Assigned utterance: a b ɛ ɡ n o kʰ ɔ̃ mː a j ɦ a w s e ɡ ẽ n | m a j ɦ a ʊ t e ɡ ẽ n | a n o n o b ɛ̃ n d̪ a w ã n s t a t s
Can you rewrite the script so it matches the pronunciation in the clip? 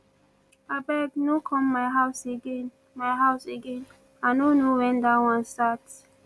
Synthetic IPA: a b ɛ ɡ n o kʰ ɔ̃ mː a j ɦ a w s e ɡ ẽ n | m a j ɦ a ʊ s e ɡ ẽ n | a n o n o w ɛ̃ n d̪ a w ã n s t a t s